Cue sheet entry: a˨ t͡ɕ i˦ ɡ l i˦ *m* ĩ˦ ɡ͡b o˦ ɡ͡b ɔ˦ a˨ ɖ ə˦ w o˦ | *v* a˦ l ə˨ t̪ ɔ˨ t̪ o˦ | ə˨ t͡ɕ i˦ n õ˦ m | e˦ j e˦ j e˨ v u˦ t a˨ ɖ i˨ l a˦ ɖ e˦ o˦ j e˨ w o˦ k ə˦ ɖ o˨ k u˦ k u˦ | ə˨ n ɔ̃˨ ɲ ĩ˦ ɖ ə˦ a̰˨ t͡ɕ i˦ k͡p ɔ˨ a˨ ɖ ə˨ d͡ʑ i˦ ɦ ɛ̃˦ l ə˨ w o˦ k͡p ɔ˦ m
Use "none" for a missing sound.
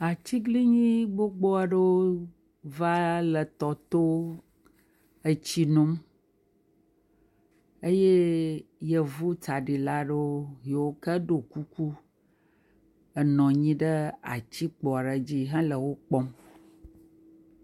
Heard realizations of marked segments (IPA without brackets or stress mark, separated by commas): ɲ, v